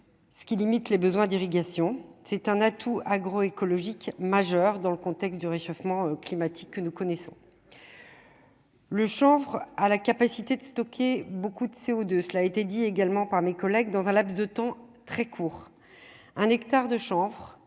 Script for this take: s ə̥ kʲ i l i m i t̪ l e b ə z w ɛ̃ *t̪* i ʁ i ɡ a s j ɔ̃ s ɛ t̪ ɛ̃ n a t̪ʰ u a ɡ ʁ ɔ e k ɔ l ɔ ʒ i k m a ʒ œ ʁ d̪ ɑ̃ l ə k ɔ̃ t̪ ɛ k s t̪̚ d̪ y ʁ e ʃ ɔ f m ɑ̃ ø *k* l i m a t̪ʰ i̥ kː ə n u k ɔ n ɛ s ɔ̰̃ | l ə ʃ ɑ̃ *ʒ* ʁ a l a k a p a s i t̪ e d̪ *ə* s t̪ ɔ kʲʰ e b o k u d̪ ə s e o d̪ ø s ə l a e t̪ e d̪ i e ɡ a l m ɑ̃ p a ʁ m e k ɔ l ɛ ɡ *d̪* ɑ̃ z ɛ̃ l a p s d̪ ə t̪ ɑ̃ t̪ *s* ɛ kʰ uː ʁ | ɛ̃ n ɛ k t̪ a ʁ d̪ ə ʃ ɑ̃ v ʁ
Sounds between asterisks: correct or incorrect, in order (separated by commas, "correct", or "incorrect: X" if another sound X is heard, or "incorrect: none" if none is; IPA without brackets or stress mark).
incorrect: d̪, correct, incorrect: v, correct, correct, incorrect: χ